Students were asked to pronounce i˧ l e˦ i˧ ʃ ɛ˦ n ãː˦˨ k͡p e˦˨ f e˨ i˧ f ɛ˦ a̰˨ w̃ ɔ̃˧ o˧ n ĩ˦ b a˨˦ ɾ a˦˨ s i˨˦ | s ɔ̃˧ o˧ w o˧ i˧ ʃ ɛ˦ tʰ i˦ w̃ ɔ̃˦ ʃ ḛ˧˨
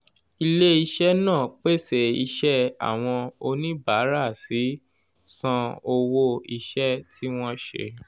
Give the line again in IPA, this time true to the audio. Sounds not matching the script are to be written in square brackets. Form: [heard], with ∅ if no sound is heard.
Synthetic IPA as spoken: i˧ l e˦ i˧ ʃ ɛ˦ n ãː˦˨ k͡p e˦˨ [s] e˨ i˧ [ʃ] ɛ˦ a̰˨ w̃ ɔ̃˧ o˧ n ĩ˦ b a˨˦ ɾ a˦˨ s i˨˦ | s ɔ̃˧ o˧ w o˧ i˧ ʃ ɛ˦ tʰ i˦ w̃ ɔ̃˦ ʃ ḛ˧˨